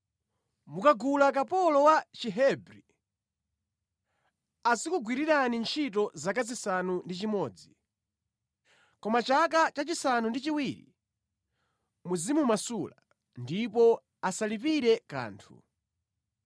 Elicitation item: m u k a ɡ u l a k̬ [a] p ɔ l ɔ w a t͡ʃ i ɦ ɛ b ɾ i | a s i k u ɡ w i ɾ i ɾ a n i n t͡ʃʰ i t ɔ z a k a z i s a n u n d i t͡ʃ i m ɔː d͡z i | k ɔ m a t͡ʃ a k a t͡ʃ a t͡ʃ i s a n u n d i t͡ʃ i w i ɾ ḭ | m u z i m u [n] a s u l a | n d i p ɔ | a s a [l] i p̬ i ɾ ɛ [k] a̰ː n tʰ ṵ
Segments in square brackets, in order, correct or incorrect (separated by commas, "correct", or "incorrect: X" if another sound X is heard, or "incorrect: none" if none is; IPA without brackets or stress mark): correct, incorrect: m, correct, correct